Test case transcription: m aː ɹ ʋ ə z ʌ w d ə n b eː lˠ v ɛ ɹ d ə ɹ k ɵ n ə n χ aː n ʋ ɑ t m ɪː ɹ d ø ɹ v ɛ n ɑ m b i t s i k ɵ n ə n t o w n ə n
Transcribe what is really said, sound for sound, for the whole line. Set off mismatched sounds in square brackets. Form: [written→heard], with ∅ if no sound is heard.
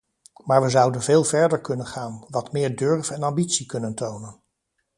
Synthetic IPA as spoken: m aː ɹ ʋ ə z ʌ w d ə n [b→v] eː lˠ v ɛ ɹ d ə ɹ k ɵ n ə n χ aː n ʋ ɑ t m ɪː ɹ d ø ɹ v ɛ n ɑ m b i t s i k ɵ n ə n t o w n ə n